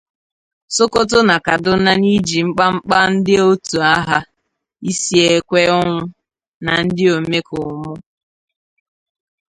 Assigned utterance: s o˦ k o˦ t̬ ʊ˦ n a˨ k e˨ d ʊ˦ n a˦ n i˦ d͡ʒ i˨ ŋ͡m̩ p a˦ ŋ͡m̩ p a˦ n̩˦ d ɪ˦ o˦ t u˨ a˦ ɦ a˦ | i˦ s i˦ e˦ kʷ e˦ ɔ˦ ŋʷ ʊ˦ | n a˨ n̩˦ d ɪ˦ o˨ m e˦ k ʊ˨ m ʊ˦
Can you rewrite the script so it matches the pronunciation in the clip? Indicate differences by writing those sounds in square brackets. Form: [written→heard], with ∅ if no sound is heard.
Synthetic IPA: s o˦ k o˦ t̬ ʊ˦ n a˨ k [e˨→a˨] d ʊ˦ n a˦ n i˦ d͡ʒ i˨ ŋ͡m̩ [p→k͡p] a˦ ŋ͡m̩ [p→k͡p] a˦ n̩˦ d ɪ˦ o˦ t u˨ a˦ ɦ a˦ | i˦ s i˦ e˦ kʷ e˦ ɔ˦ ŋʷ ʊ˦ | n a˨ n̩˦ d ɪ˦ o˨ m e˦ k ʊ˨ m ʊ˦